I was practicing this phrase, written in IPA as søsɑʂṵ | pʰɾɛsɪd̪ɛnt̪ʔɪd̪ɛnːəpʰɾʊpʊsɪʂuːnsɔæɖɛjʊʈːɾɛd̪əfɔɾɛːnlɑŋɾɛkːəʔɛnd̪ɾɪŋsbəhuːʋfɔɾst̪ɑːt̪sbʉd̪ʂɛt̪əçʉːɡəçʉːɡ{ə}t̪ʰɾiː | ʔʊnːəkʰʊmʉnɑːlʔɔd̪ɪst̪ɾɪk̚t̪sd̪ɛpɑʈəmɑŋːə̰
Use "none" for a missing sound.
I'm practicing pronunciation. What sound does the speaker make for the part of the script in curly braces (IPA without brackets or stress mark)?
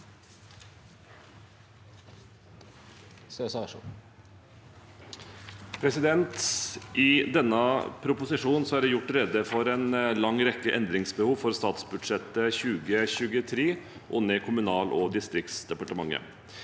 ə